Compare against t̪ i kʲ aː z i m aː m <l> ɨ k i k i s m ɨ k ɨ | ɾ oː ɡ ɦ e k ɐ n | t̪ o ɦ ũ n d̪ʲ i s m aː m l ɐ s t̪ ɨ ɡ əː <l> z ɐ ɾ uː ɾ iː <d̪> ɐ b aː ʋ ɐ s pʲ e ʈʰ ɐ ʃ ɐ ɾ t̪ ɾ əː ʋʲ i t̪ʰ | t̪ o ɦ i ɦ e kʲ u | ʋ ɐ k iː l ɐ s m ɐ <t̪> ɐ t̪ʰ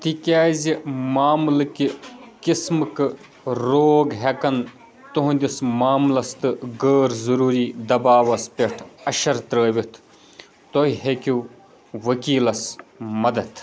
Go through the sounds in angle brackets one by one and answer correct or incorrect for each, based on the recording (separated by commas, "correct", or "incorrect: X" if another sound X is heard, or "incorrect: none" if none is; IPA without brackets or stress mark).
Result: correct, incorrect: ɾ, correct, incorrect: d̪